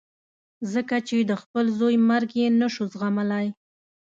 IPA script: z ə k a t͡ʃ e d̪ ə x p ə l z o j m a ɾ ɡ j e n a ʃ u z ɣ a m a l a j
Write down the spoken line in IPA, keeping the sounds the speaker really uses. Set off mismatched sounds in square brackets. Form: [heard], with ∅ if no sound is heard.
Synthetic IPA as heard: z ə k a t͡ʃ e d̪ ə x p ə l z o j m a ɾ ɡ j e n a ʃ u z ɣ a m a l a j